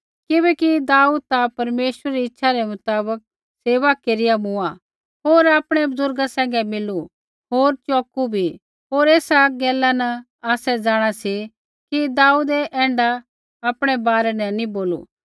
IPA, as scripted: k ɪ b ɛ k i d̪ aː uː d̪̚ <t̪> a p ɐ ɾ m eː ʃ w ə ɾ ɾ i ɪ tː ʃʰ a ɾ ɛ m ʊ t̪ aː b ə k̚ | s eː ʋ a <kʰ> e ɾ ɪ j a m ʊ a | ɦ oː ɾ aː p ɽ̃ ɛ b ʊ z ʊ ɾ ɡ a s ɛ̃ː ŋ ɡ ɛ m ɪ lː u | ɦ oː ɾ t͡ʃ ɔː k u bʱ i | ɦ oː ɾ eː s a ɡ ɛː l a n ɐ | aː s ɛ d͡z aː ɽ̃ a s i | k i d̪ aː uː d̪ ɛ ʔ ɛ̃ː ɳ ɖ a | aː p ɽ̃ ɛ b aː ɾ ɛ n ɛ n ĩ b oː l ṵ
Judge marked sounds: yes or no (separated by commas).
yes, no